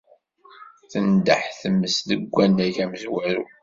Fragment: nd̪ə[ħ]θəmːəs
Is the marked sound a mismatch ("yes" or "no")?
no